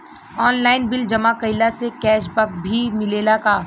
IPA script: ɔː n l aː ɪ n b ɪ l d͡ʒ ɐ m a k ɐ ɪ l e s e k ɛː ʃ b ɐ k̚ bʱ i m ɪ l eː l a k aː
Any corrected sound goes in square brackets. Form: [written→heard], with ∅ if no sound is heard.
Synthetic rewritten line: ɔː n l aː ɪ n b ɪ l d͡ʒ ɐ m a k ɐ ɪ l [e→a] s e k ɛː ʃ b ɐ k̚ bʱ i m ɪ l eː l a k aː